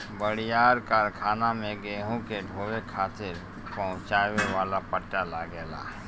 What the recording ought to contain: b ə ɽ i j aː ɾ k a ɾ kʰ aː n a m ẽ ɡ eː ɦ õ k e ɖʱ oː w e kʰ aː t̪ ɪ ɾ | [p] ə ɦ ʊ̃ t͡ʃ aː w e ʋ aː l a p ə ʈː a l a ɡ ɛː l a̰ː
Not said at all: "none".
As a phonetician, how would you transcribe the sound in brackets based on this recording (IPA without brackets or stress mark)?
p